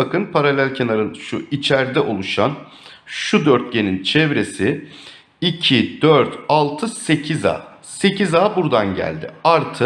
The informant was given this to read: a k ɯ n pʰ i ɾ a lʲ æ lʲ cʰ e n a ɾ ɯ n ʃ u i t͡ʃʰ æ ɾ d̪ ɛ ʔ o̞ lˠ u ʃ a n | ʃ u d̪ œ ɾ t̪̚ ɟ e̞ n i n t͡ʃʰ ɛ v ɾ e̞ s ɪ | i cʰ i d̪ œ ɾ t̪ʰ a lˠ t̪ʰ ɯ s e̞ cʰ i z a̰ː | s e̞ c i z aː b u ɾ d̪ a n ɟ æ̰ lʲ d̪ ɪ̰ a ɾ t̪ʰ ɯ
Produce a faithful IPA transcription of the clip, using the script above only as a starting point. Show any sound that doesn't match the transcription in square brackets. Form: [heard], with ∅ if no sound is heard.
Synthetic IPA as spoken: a k ɯ n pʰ [a] ɾ a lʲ æ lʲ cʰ e n a ɾ ɯ n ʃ u i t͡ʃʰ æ ɾ d̪ ɛ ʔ o̞ lˠ u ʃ a n | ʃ u d̪ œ ɾ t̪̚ ɟ e̞ n i n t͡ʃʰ ɛ v ɾ e̞ s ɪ | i cʰ i d̪ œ ɾ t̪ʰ a lˠ t̪ʰ ɯ s e̞ cʰ i z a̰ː | s e̞ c i z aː b u ɾ d̪ a n ɟ æ̰ lʲ d̪ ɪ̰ a ɾ t̪ʰ ɯ